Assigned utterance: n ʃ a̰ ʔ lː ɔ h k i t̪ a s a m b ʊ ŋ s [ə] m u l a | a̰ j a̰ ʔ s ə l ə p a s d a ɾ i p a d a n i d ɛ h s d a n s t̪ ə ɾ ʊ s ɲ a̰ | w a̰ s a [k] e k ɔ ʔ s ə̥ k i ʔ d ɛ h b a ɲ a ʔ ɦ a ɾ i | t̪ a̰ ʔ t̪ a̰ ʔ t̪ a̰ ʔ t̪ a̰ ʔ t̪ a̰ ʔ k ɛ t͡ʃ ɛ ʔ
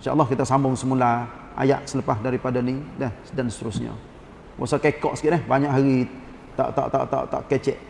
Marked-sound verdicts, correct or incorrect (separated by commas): correct, correct